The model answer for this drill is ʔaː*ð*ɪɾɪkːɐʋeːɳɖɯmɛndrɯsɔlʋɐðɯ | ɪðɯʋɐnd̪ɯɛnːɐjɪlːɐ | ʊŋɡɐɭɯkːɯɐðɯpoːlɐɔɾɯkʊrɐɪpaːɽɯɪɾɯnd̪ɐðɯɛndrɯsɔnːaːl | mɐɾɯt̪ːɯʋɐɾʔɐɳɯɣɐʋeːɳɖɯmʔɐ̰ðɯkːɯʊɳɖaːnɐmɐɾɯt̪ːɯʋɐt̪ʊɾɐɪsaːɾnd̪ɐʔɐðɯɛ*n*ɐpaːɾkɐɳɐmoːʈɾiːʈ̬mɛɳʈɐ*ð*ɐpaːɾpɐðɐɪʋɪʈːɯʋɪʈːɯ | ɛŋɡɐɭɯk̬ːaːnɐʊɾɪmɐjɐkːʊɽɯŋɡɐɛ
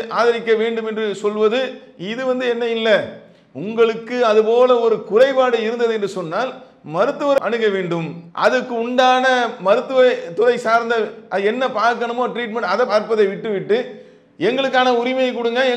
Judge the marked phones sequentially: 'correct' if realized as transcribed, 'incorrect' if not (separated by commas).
correct, incorrect, correct